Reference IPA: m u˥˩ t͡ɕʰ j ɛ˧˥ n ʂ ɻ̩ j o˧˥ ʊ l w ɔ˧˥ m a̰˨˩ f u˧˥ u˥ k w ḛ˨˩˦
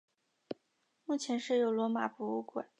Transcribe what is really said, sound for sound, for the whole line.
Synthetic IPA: m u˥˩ t͡ɕʰ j ɛ˧˥ n ʂ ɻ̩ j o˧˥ ʊ l w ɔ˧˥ m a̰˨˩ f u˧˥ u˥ k w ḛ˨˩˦